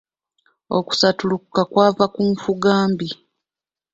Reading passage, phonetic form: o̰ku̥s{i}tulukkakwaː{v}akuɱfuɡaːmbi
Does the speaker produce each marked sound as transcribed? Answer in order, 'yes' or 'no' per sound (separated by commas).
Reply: no, yes